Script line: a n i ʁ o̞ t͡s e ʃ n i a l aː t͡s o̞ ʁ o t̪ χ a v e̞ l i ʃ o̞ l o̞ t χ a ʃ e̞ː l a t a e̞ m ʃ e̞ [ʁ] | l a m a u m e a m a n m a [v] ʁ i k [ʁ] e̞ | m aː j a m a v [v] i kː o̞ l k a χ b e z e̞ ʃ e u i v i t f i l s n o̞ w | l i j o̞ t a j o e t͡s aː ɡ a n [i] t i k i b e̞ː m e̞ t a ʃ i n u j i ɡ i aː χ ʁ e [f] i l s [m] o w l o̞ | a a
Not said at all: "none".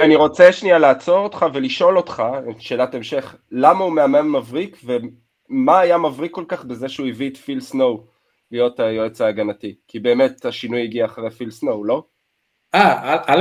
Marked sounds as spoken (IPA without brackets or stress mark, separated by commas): χ, v, v, ʁ, a, f, n